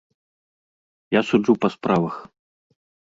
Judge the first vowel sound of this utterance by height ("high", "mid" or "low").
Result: low